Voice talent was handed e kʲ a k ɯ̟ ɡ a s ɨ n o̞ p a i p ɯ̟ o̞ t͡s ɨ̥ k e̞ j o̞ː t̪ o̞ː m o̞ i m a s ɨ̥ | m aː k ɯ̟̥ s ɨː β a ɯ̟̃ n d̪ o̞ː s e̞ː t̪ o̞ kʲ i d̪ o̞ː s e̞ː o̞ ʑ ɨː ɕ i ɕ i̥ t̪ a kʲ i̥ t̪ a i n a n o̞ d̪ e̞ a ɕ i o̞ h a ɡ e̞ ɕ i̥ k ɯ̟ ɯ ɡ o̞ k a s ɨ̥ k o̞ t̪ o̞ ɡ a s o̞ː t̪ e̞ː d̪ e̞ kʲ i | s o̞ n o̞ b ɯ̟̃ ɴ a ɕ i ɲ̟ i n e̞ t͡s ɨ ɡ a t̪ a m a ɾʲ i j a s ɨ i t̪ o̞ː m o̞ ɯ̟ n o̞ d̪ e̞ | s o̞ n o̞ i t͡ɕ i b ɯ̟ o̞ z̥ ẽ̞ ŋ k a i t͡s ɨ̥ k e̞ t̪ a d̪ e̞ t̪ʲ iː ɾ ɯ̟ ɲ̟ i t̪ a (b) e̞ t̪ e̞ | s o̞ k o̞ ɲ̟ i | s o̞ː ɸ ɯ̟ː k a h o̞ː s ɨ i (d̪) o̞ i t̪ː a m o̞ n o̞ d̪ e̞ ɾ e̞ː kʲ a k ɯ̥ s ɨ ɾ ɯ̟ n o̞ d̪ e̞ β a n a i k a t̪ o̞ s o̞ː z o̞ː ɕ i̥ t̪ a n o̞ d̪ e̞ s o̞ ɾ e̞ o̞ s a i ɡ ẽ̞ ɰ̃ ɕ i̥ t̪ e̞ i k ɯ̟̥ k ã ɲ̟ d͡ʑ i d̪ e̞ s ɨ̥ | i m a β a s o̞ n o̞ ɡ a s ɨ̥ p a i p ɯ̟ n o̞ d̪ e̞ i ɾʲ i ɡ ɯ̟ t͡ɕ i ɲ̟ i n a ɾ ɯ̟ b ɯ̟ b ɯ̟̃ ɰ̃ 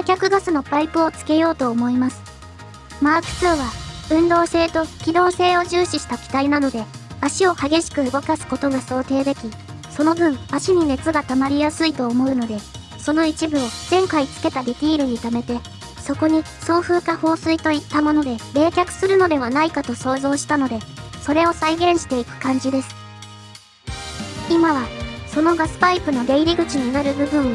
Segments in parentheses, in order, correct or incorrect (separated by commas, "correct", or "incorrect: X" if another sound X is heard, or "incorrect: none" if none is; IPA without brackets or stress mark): incorrect: m, incorrect: t̪